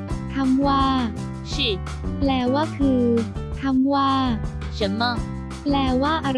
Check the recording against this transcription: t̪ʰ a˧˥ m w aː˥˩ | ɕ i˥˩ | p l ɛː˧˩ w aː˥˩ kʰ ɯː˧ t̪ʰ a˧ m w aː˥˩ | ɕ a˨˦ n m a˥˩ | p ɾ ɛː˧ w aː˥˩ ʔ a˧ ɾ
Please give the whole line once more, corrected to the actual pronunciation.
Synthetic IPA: t̪ʰ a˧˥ m w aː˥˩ | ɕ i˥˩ | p l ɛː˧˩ w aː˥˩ kʰ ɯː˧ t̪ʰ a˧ m w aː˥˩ | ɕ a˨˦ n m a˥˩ | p l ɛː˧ w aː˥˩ ʔ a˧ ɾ